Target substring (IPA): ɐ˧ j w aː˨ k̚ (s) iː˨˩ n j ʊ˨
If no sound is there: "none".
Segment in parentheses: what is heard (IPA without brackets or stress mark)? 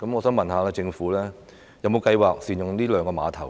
s